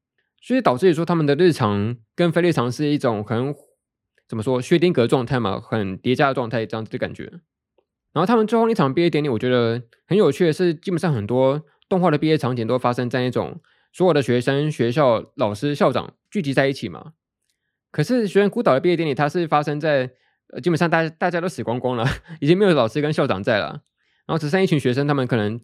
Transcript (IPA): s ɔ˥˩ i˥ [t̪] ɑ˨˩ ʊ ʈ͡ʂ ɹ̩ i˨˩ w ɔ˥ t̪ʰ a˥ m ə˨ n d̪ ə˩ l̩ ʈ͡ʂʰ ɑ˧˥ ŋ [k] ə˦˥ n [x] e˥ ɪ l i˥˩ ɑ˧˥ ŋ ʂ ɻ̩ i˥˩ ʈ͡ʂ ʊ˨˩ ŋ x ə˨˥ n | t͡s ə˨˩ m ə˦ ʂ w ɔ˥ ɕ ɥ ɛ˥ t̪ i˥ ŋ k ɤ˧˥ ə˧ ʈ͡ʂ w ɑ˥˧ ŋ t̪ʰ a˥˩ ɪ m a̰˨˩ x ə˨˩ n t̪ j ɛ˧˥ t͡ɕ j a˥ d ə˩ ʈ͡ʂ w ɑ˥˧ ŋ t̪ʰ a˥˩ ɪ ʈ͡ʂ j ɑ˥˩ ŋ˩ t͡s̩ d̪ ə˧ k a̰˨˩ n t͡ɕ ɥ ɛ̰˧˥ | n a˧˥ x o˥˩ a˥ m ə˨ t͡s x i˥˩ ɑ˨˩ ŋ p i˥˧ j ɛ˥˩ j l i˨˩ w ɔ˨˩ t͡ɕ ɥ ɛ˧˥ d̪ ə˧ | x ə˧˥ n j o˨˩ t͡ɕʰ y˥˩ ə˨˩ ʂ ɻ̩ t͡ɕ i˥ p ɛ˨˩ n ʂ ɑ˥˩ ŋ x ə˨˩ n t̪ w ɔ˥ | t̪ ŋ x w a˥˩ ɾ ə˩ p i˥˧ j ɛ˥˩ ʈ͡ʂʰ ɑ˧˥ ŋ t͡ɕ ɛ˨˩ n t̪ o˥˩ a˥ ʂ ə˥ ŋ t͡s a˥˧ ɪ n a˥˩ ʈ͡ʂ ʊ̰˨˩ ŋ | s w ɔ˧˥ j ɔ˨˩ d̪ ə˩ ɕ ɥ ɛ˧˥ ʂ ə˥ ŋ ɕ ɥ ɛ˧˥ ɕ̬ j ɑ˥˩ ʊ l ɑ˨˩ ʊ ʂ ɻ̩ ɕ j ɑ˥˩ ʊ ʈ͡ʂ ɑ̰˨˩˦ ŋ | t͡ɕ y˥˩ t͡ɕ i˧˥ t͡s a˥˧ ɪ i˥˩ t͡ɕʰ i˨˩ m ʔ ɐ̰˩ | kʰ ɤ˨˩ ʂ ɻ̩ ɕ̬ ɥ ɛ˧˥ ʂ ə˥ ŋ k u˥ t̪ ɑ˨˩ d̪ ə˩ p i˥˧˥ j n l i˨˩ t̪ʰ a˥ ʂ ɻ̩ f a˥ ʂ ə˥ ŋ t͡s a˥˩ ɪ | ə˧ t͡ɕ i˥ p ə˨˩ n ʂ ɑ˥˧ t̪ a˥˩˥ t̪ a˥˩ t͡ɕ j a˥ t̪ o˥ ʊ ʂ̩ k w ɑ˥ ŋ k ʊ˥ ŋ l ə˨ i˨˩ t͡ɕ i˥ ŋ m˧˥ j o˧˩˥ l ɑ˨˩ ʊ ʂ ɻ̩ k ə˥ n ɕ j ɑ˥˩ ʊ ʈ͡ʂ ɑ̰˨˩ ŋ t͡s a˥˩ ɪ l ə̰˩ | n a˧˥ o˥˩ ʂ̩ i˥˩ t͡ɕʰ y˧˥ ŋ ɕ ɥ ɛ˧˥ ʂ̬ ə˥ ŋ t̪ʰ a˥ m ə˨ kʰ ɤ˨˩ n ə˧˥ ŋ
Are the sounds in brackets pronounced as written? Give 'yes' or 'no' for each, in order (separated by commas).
yes, yes, no